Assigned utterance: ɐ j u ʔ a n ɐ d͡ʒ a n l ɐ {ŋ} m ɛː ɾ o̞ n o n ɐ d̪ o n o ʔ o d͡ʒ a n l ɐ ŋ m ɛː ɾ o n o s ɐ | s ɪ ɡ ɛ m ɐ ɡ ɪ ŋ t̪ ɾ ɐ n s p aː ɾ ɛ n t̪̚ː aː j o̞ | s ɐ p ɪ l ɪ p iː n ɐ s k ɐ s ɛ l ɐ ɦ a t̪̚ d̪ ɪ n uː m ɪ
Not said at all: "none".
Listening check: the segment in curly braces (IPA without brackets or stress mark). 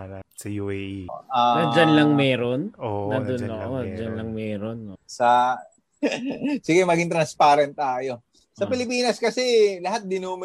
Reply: ŋ